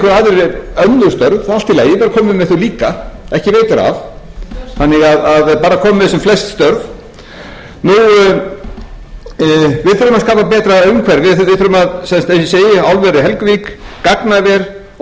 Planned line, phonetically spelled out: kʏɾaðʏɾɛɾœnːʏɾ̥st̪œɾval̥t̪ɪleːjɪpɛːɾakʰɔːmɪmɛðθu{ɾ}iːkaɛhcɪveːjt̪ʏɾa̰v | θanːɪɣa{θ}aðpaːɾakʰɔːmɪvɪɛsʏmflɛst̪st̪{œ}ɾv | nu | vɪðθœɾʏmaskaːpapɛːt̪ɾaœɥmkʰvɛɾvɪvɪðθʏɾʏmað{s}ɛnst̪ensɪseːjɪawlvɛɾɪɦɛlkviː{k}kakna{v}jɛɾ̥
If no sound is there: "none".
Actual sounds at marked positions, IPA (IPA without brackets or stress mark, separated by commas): l, ð, œ, s, k, v